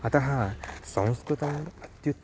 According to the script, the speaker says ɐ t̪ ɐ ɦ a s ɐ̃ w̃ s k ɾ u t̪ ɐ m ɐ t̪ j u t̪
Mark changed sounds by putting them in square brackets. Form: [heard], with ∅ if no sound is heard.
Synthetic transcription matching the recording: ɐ t̪ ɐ ɦ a s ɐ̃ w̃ s k ɾ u t̪ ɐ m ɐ t̪ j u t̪